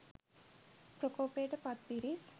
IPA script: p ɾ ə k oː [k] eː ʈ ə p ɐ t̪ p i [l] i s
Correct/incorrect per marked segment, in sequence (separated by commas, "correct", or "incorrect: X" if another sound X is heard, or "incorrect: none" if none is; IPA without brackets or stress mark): incorrect: p, incorrect: ɾ